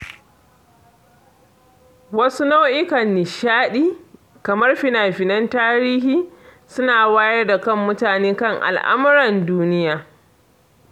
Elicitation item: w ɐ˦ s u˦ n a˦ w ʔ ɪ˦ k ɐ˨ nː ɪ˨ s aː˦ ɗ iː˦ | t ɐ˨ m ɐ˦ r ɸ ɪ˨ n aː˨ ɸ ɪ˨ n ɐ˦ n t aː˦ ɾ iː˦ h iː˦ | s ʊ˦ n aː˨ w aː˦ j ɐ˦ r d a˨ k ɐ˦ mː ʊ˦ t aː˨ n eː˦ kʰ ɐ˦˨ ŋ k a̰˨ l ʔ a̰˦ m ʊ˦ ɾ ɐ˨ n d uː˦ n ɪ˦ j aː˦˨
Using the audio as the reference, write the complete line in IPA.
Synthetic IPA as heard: w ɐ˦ s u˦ n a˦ w ʔ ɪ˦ k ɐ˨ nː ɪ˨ ʃ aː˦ ɗ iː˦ | k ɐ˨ m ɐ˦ r ɸ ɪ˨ n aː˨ ɸ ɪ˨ n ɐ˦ n t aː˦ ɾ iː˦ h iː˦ | s ʊ˦ n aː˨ w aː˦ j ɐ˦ r d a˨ k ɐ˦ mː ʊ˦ t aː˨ n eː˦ k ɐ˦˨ ŋ ʔ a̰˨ l ʔ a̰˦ m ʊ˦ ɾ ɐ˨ n d uː˦ n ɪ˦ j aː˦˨